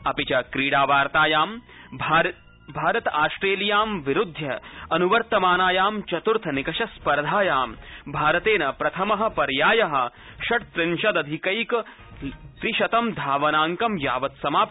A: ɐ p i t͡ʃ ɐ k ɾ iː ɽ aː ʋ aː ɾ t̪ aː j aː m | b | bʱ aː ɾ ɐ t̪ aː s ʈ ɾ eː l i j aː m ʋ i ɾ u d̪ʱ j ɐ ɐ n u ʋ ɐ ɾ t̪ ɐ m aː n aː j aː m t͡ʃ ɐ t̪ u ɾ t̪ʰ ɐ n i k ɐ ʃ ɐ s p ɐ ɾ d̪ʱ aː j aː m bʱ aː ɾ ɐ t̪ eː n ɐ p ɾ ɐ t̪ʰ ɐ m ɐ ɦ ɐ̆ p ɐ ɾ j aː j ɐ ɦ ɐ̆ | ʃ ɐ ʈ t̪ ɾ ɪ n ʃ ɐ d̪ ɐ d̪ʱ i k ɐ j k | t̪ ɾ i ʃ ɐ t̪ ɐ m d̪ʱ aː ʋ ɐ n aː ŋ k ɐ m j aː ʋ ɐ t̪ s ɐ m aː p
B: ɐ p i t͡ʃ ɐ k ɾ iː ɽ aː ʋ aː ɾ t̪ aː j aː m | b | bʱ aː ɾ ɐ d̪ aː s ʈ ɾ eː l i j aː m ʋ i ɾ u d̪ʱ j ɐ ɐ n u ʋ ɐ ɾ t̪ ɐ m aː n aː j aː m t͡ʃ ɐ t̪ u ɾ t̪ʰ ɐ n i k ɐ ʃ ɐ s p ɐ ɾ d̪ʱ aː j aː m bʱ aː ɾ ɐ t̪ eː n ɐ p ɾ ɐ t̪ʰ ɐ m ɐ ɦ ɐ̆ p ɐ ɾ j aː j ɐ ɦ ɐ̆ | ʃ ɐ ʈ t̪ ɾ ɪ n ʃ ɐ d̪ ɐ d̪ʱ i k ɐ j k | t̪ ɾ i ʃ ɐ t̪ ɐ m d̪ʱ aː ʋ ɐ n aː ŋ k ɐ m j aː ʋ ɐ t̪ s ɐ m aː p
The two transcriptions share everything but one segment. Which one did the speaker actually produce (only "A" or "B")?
A